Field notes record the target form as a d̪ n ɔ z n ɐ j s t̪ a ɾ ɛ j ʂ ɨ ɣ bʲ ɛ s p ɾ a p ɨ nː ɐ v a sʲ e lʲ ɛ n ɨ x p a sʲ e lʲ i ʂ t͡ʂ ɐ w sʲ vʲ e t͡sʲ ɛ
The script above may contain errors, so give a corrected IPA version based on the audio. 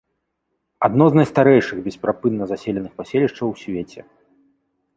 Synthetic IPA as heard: a d̪ n ɔ z n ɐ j s t̪ a ɾ ɛ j ʂ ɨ ɣ bʲ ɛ s p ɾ a p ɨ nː ɐ z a sʲ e lʲ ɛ n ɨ x p a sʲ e lʲ i ʂ t͡ʂ ɐ w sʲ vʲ e t͡sʲ ɛ